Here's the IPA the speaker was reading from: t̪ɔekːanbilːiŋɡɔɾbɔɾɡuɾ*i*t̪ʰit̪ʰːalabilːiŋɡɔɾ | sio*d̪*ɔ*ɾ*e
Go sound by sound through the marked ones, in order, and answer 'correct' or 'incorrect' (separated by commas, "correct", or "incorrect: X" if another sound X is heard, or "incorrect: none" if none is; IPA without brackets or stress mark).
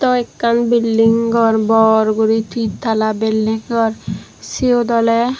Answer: correct, correct, incorrect: l